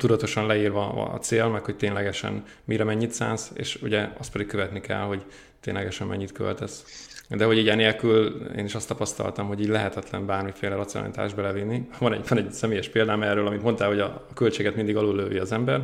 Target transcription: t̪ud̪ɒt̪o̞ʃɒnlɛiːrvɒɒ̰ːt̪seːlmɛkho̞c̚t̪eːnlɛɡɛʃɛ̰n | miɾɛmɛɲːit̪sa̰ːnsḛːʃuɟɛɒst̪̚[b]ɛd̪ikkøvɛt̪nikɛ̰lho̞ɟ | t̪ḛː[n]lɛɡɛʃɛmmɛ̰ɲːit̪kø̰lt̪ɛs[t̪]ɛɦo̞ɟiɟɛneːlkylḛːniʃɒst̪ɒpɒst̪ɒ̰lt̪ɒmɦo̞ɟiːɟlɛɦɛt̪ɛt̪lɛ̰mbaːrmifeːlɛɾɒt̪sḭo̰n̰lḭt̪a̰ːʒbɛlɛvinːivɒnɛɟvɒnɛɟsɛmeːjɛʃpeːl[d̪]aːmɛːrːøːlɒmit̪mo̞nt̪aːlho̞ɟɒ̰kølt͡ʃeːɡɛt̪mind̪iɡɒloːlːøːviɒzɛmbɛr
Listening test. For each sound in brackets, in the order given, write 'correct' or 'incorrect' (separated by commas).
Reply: incorrect, correct, incorrect, correct